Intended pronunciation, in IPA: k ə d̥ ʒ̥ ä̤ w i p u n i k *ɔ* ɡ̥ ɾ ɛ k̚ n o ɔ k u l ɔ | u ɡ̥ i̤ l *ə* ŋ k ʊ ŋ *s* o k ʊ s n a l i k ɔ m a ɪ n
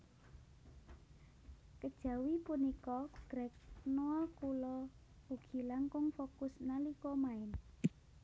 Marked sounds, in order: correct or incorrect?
correct, incorrect, incorrect

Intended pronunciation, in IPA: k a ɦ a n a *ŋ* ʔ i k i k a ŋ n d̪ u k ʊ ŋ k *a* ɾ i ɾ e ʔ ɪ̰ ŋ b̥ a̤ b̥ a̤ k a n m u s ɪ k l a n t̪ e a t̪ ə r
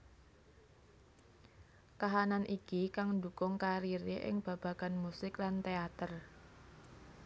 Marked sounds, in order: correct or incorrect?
incorrect, correct

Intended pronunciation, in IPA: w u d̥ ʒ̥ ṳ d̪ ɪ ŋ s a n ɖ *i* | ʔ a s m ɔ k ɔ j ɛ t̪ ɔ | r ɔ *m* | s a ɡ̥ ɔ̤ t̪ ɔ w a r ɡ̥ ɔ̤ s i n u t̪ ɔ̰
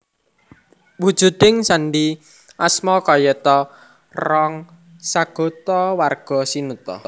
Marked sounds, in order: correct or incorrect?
correct, incorrect

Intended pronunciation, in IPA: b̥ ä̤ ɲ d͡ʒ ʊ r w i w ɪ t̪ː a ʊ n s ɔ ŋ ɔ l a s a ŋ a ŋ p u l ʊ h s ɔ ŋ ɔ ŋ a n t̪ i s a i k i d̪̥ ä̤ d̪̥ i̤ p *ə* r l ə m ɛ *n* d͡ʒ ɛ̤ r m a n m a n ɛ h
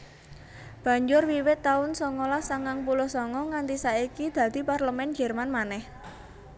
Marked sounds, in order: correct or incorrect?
incorrect, correct

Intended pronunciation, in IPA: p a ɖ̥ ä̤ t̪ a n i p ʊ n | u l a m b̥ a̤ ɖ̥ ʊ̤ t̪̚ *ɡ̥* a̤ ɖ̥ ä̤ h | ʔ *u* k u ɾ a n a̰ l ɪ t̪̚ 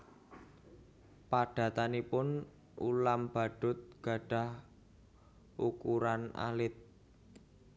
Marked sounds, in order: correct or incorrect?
correct, correct

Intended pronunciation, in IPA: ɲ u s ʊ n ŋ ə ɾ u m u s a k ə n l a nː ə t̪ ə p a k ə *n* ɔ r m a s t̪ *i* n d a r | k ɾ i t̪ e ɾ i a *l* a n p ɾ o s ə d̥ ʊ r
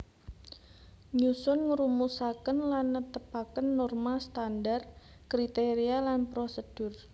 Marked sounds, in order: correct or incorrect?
incorrect, incorrect, correct

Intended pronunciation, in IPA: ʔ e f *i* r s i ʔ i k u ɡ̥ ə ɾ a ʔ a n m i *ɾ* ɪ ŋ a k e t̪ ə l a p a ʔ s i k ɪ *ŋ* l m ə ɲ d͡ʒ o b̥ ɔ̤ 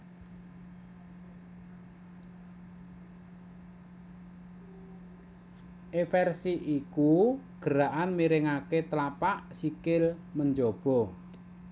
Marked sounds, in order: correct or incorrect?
incorrect, correct, incorrect

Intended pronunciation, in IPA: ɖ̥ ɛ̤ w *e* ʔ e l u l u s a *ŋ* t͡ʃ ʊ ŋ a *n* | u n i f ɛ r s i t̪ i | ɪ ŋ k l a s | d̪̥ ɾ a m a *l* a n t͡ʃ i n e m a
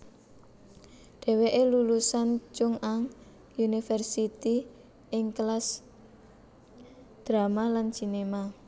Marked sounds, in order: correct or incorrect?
correct, incorrect, incorrect, correct

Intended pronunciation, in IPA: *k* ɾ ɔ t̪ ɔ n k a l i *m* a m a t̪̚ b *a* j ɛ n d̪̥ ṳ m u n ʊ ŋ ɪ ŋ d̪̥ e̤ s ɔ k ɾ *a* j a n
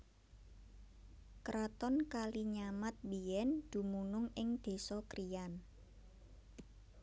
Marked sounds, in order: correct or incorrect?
correct, incorrect, incorrect, incorrect

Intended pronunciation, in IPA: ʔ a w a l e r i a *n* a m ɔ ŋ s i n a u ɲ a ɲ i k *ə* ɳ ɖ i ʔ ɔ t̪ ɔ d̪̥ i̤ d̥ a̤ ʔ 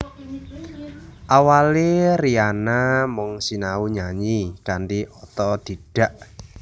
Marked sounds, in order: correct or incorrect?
correct, incorrect

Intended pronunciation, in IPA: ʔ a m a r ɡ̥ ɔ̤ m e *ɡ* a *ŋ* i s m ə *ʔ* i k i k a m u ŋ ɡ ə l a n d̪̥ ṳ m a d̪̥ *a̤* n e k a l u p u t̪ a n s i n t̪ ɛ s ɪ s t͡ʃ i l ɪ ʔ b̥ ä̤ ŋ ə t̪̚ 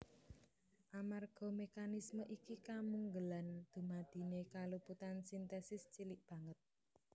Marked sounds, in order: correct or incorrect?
incorrect, incorrect, correct, incorrect

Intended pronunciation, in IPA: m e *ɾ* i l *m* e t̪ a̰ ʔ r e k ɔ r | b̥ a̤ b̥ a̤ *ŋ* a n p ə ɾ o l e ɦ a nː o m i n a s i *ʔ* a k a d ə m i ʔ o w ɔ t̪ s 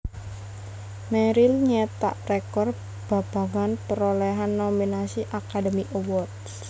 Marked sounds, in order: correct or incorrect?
correct, incorrect, correct, correct

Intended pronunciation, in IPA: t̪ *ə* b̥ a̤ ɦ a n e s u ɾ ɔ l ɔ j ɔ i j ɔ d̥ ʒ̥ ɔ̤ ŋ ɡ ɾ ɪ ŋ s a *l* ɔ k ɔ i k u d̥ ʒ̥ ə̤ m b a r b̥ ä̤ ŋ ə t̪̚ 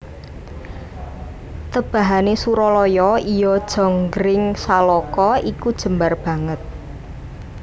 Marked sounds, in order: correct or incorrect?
correct, correct

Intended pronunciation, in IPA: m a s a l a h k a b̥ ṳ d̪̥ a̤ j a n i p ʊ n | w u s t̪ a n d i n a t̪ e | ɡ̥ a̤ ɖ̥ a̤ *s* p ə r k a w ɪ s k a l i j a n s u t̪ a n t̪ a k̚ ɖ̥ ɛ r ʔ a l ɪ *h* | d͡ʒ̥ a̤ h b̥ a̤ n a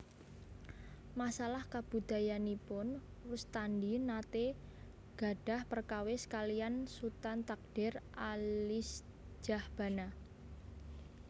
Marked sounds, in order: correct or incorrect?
incorrect, incorrect

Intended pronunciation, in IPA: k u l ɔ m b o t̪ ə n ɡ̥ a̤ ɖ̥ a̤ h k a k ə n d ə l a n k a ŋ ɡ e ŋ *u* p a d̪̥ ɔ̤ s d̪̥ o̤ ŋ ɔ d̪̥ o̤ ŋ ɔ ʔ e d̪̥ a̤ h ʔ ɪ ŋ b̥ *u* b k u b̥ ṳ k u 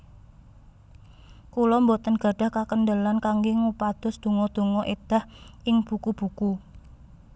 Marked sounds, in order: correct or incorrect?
correct, correct

